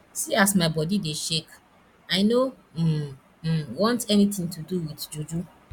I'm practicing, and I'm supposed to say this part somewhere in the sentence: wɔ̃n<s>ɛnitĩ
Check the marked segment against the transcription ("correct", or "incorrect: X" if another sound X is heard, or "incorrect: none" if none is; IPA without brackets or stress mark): incorrect: t